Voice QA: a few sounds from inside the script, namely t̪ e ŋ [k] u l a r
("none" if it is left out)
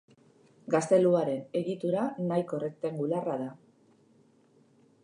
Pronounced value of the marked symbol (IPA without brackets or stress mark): ɡ